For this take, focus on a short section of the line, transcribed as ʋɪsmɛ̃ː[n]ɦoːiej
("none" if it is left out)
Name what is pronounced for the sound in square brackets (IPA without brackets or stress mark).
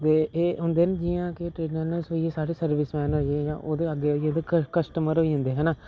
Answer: n